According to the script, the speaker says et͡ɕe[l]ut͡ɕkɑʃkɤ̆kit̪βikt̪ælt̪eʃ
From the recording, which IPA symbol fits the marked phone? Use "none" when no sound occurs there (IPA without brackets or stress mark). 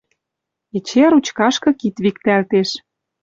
ɾ